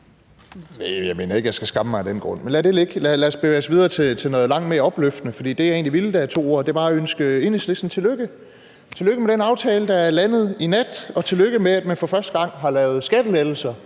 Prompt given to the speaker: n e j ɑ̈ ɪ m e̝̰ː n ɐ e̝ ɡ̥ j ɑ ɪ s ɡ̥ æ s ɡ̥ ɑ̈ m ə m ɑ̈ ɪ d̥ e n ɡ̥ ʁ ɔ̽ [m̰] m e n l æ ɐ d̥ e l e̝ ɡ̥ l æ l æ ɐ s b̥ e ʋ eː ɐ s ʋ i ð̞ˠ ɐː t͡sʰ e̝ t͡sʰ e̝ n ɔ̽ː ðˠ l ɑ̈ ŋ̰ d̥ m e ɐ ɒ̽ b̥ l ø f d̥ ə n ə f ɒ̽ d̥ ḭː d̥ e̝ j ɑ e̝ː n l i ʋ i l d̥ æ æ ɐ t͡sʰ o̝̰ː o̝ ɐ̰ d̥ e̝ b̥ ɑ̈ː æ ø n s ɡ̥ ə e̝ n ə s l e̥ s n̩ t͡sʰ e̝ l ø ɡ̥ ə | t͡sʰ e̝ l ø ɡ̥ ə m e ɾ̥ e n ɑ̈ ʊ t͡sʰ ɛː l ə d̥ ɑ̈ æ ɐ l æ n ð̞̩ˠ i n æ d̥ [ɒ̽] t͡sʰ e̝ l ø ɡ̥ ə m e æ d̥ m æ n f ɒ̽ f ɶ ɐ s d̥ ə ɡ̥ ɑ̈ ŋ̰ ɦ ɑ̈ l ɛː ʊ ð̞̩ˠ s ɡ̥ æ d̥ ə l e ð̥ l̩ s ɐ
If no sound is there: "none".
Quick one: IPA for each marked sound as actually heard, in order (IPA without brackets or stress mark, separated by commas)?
n̰, ɒ̽